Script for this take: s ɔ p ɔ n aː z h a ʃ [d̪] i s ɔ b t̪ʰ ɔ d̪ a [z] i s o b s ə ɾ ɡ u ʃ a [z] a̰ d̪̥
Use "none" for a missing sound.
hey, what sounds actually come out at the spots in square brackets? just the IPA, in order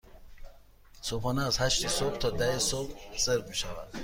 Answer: t̪, none, v

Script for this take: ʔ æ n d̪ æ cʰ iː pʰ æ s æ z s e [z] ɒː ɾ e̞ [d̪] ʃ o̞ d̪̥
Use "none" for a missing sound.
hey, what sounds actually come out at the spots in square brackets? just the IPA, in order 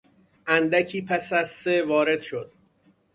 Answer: v, d̪

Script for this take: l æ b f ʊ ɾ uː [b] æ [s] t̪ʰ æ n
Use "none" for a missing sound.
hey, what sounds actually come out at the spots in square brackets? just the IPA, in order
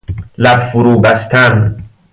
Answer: b, s

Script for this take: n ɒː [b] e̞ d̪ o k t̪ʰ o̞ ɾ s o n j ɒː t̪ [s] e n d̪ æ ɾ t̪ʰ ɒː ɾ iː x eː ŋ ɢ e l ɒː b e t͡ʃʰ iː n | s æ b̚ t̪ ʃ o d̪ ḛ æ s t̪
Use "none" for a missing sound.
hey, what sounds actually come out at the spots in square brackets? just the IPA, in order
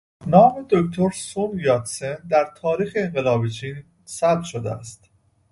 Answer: m, s

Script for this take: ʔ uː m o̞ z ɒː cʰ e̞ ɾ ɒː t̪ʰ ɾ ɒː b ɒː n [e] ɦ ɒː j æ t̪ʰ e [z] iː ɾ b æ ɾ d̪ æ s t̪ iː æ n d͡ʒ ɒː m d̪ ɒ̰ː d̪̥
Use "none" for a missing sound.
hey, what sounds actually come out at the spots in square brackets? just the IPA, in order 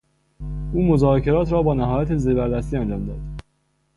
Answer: æ, z

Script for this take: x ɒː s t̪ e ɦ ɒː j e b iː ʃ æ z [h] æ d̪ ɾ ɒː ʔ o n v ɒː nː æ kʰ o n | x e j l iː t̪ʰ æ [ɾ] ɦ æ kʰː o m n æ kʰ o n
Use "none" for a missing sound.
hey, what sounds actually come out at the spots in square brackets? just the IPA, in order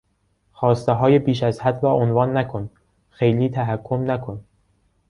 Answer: h, none

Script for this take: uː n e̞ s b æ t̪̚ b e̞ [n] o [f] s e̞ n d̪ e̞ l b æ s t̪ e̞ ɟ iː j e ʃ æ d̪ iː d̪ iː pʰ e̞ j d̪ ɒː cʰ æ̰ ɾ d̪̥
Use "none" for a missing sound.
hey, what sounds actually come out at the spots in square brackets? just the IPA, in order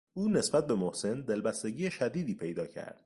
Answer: m, h

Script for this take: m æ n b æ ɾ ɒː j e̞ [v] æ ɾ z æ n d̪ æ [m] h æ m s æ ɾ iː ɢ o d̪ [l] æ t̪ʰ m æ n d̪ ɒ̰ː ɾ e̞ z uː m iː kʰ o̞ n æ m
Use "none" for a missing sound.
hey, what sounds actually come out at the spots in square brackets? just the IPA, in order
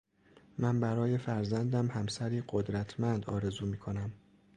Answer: f, m, ɾ

